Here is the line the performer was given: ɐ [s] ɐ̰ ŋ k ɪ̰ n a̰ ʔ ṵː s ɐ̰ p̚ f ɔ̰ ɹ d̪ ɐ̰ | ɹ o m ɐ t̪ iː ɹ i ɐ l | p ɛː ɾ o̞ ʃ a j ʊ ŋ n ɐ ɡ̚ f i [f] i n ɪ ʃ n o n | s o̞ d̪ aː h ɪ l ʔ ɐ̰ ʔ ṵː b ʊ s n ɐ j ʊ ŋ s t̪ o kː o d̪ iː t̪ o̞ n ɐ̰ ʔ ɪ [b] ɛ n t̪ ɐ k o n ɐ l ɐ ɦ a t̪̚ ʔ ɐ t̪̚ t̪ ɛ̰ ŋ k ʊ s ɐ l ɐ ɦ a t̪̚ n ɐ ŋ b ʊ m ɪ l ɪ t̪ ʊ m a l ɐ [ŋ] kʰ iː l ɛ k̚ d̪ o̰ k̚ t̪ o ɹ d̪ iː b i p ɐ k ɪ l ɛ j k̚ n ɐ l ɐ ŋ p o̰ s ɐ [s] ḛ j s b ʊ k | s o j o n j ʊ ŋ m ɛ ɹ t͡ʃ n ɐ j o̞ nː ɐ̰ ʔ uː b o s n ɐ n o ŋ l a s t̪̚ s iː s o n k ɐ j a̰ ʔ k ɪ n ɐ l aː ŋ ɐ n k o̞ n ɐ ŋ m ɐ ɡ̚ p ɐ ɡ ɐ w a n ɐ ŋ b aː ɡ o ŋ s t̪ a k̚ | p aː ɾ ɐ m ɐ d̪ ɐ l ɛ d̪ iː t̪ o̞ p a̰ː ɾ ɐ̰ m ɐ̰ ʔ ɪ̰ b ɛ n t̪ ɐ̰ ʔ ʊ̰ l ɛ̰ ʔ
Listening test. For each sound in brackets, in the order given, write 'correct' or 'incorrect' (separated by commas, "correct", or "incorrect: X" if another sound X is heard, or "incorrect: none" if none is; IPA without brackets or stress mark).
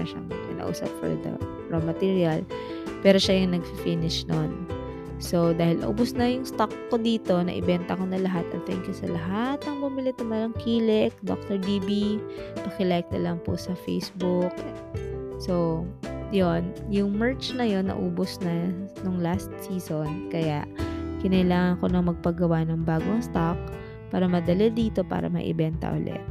incorrect: ʃ, correct, correct, correct, incorrect: f